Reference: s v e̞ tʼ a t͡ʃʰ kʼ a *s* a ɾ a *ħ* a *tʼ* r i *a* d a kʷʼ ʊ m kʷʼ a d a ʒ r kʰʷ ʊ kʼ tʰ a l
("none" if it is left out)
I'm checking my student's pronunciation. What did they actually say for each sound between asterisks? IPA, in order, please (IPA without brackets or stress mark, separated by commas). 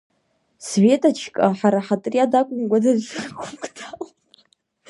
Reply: ħ, ħ, tʼ, a